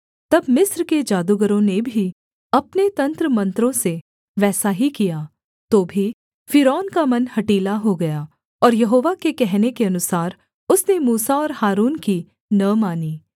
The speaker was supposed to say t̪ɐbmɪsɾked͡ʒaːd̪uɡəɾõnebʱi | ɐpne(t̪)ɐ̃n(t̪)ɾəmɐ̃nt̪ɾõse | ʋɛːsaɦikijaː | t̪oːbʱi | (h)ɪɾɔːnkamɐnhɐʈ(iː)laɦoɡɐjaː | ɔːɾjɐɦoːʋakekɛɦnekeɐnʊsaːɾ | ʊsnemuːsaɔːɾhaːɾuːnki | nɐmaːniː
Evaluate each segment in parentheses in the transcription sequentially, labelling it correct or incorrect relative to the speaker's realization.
correct, correct, incorrect: f, correct

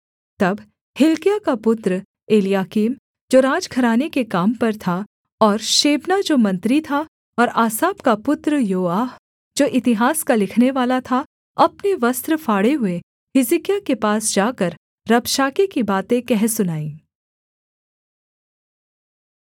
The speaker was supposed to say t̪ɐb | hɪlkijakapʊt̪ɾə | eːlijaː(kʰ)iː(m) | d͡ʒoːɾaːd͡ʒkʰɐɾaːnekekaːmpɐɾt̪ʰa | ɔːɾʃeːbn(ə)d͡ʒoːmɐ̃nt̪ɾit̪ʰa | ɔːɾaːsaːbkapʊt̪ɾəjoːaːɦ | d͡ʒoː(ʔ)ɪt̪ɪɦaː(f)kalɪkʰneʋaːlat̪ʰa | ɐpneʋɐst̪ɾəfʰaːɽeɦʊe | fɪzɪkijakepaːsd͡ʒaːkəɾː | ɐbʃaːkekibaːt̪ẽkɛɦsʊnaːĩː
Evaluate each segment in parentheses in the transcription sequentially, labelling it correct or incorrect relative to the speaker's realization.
incorrect: k, correct, incorrect: a, correct, incorrect: s

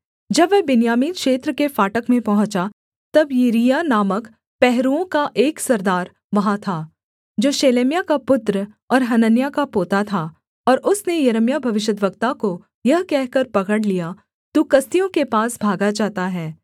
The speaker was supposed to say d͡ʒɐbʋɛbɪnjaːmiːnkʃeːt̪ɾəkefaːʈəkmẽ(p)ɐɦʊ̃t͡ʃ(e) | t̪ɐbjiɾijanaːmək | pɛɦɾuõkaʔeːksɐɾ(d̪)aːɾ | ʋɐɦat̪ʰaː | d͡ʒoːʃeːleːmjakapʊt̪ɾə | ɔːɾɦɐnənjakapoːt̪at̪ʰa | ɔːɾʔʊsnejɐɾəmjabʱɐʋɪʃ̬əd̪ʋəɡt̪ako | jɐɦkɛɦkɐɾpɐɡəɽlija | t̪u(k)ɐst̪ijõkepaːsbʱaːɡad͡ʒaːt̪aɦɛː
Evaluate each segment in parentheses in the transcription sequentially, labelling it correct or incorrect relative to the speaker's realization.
correct, incorrect: a, correct, correct

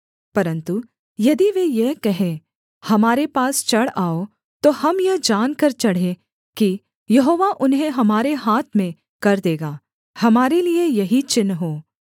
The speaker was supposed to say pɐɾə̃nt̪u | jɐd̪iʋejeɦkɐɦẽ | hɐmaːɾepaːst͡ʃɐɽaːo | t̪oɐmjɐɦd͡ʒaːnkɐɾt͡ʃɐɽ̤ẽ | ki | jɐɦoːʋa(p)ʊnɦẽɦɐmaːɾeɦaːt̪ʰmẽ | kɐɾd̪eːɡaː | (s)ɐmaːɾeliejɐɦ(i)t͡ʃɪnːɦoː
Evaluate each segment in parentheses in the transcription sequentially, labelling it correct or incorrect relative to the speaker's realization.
incorrect: ʔ, incorrect: h, correct

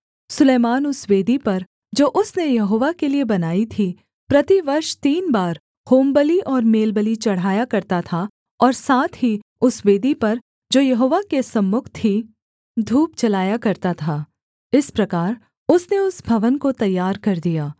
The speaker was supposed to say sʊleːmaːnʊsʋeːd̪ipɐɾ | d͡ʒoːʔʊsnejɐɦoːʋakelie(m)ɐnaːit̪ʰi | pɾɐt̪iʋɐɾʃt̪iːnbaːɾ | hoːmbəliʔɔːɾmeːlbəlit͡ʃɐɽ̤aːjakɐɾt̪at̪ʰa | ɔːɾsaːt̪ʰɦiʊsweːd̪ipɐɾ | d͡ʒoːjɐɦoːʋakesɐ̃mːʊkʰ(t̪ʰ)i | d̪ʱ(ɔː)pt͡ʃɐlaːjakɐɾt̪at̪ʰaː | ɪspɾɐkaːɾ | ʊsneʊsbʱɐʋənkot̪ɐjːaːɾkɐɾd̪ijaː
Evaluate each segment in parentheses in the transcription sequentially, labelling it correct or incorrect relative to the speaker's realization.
incorrect: b, correct, incorrect: uː

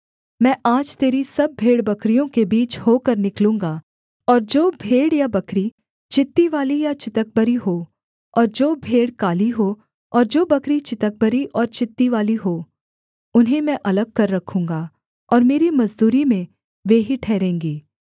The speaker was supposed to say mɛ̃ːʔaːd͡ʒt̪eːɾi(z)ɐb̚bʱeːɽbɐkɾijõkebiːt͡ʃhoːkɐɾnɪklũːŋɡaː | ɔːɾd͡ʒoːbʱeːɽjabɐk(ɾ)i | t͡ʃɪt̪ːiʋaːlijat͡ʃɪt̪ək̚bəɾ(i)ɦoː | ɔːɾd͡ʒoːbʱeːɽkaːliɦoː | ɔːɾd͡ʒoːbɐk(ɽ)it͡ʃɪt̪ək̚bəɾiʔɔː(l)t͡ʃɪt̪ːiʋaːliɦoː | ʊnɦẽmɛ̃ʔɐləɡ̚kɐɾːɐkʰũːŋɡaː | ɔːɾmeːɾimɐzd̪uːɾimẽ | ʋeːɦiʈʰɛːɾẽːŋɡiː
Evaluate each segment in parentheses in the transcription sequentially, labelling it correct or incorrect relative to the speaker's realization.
incorrect: s, correct, correct, incorrect: ɾ, incorrect: ɾ

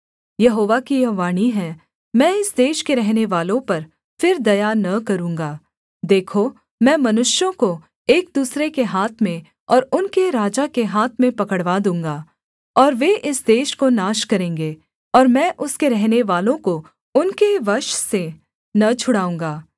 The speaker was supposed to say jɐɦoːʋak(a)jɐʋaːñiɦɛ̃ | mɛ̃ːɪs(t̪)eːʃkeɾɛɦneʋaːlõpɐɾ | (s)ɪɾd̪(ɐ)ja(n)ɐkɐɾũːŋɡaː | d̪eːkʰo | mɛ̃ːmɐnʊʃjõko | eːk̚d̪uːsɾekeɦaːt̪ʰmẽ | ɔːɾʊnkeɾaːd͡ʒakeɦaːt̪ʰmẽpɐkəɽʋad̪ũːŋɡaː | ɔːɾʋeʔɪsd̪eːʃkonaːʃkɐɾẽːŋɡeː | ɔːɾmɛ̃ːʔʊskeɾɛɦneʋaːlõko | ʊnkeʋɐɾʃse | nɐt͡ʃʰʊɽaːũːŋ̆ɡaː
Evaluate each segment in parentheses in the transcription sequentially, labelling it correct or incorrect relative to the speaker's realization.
incorrect: i, incorrect: d̪, incorrect: f, correct, correct

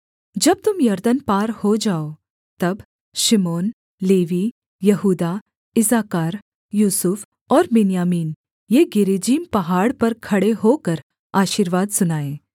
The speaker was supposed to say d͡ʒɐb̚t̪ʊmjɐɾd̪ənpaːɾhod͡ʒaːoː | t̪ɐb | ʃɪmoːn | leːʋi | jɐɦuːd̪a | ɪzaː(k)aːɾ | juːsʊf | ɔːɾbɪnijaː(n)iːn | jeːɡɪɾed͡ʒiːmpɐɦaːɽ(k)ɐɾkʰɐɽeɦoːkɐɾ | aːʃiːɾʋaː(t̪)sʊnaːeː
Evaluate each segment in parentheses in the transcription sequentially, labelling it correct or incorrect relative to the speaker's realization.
correct, incorrect: m, incorrect: p, incorrect: d̪

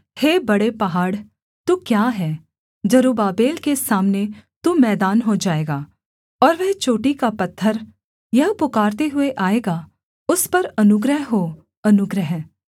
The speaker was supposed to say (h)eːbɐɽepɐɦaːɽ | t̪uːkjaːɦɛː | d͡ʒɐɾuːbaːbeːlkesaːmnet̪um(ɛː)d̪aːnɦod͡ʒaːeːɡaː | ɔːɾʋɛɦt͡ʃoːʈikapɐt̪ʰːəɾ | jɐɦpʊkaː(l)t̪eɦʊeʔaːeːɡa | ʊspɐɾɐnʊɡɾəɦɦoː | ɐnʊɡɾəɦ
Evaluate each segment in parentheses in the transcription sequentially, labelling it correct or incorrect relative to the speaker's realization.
correct, correct, incorrect: ɾ

